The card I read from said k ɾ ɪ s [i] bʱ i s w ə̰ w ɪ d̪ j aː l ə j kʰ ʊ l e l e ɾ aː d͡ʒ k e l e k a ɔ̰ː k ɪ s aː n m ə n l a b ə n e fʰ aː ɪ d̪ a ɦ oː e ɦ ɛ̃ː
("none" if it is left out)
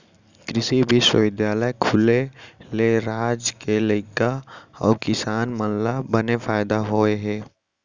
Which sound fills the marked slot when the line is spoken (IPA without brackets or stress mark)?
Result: i